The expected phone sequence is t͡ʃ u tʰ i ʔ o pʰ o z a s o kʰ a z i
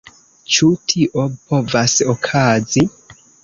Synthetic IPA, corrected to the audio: t͡ʃ u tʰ i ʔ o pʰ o v a s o kʰ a z i